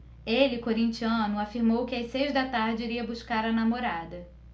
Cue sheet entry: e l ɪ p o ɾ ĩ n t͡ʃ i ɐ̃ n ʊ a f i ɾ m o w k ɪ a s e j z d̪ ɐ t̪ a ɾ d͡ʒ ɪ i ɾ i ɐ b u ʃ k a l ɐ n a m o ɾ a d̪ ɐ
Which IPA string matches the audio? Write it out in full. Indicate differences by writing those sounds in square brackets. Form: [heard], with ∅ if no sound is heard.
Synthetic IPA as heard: e l ɪ [k] o ɾ ĩ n t͡ʃ i ɐ̃ n ʊ a f i ɾ m o w k ɪ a s e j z d̪ ɐ t̪ a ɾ d͡ʒ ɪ i ɾ i ɐ b u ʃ k a [ɾ] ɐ n a m o ɾ a d̪ ɐ